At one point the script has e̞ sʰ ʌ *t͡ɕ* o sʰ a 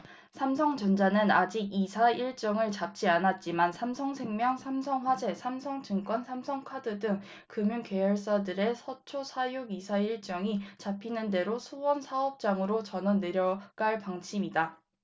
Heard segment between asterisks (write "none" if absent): t͡ɕʰ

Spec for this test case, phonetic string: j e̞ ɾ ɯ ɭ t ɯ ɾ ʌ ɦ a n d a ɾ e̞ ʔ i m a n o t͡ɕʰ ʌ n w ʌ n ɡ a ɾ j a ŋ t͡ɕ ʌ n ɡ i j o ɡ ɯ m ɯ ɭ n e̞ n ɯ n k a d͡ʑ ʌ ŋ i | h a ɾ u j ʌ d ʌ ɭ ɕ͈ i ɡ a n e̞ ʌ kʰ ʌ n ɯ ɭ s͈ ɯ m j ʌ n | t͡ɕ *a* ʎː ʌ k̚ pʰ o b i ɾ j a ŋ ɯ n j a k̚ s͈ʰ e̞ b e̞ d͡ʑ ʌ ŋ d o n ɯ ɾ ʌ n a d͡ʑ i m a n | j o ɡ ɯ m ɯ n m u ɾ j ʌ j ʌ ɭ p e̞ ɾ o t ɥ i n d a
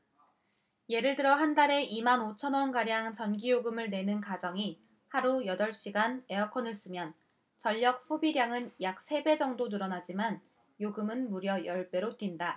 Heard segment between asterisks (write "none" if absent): ʌ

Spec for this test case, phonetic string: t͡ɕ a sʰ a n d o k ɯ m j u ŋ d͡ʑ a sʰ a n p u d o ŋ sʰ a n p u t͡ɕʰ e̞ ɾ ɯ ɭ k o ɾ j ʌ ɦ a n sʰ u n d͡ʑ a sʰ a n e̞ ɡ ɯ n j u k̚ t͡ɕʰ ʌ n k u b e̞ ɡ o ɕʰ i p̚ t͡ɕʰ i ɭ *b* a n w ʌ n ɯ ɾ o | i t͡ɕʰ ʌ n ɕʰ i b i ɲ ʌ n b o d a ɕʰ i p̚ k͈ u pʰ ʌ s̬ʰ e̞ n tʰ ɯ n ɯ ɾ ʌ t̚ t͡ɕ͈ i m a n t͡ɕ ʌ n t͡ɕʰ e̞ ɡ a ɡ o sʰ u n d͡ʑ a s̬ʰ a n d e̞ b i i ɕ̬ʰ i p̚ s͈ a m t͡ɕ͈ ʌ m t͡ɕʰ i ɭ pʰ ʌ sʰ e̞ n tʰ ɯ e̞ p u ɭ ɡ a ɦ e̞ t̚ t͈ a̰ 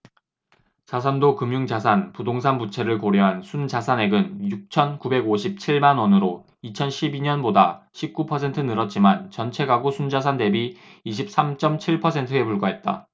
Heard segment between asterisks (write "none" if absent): m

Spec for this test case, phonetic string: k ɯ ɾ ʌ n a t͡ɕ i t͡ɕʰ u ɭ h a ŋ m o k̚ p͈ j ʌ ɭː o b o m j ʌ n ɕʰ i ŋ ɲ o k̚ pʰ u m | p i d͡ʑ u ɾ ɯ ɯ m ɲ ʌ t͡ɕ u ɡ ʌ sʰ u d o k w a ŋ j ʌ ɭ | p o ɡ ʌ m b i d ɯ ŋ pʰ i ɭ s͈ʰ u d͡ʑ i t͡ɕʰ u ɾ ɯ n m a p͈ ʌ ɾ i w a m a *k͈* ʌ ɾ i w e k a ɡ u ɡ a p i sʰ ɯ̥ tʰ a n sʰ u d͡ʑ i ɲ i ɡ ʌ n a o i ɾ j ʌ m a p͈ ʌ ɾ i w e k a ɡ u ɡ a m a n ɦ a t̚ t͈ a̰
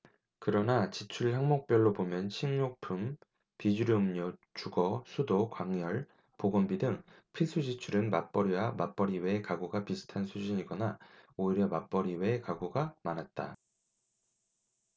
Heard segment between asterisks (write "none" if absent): p͈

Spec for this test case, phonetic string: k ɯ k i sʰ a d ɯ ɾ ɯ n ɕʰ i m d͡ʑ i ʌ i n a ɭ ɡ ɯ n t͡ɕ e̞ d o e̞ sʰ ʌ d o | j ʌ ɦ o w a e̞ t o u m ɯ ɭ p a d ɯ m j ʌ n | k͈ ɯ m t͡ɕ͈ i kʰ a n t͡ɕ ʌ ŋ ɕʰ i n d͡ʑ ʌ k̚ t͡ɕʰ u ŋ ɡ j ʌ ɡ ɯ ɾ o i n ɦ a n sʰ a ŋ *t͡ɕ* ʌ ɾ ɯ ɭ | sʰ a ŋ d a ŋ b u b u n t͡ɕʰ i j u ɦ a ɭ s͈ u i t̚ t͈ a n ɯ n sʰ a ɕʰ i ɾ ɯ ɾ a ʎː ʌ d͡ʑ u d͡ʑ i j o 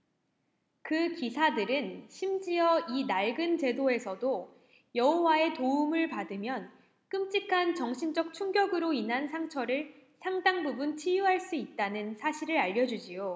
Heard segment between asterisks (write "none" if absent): t͡ɕʰ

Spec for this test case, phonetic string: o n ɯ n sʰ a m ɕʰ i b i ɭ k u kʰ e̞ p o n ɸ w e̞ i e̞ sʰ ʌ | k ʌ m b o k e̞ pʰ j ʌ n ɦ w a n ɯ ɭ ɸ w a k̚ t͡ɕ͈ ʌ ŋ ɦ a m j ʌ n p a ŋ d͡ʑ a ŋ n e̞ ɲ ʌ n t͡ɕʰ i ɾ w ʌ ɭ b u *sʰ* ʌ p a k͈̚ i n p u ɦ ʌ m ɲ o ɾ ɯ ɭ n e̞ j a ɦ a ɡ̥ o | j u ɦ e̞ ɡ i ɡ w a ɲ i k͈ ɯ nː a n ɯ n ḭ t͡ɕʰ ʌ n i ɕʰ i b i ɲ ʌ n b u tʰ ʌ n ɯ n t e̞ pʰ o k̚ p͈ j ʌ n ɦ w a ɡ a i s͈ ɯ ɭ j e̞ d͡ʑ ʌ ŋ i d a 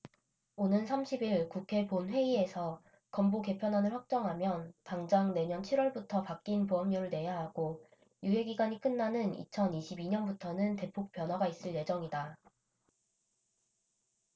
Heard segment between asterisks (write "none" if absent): tʰ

